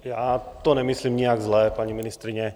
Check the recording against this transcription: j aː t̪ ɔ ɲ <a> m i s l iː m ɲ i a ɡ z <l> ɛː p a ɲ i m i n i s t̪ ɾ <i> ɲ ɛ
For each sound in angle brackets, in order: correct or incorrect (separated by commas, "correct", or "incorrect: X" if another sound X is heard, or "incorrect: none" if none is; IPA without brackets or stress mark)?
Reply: incorrect: ɛ, correct, correct